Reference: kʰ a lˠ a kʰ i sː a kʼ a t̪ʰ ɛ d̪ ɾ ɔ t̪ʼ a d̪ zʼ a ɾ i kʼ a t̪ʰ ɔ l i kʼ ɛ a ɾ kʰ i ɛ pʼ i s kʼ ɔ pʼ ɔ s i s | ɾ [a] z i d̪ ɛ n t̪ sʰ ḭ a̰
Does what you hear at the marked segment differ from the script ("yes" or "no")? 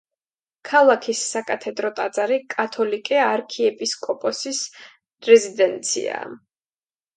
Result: yes